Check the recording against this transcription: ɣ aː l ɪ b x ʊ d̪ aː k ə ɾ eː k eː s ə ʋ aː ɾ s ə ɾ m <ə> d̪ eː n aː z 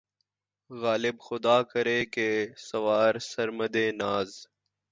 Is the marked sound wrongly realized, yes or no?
no